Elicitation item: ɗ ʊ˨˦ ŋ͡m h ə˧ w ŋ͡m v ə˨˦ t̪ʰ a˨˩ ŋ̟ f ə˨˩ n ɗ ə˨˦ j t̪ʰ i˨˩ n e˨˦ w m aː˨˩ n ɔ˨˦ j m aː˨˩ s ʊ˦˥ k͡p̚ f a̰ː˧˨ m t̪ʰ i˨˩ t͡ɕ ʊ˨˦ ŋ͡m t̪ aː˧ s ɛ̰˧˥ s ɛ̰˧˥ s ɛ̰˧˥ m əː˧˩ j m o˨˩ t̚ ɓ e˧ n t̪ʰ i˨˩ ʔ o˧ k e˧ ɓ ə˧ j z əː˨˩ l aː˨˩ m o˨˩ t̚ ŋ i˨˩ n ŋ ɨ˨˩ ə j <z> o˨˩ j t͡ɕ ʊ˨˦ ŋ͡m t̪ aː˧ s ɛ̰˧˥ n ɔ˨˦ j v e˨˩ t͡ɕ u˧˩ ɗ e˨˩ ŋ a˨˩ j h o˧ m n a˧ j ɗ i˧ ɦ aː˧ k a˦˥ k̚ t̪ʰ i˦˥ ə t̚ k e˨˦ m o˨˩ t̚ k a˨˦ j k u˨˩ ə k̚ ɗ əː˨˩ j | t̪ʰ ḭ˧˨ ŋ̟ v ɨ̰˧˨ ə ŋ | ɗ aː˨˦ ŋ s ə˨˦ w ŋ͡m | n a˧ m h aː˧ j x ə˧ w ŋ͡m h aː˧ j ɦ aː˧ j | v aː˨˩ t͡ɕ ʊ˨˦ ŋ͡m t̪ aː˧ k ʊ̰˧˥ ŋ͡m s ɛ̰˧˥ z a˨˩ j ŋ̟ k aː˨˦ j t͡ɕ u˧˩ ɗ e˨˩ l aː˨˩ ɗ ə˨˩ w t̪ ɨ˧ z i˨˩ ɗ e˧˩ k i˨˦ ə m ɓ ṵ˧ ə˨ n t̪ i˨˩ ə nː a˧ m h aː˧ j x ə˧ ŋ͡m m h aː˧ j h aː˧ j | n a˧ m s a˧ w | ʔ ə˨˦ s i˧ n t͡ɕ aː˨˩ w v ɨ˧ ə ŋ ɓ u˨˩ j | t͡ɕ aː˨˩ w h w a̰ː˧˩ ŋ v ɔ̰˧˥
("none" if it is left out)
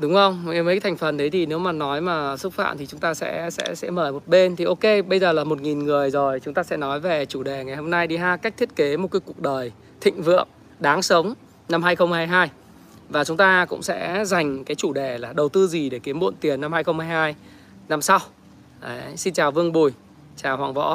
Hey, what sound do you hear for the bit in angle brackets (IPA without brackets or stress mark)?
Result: z